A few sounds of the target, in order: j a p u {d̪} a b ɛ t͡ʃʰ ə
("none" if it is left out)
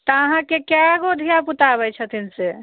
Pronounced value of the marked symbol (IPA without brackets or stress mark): t̪